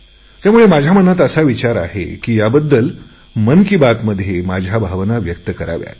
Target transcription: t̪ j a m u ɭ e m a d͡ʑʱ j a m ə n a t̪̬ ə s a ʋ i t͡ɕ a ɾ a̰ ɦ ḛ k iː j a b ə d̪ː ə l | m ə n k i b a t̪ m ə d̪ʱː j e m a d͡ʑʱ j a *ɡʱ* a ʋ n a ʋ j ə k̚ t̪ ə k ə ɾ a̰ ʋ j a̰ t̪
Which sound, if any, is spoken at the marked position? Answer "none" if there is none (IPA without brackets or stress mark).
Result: bʱ